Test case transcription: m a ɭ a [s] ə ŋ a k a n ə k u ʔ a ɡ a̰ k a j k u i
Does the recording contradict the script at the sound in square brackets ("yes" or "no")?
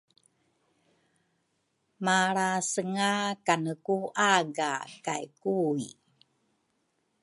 no